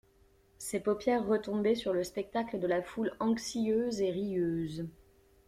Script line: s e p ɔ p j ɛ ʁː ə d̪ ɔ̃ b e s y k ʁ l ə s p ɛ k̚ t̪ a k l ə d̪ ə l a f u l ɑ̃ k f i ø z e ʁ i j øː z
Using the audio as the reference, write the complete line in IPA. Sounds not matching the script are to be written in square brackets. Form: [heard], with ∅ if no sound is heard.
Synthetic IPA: s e p ɔ p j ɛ ʁː ə [t̪] ɔ̃ b [ɛ] s y [∅] ʁ l ə s p ɛ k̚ t̪ a k l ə d̪ ə l a f u l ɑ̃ k [s] i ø z e ʁ i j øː z